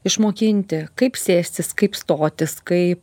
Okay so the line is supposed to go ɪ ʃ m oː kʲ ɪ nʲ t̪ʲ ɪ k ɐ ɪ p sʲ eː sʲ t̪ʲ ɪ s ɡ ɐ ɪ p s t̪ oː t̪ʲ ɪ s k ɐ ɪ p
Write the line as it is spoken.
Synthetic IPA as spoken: ɪ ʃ m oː kʲ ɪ nʲ t̪ʲ ɪ k ɐ ɪ p sʲ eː sʲ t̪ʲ ɪ s k ɐ ɪ p s t̪ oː t̪ʲ ɪ s k ɐ ɪ p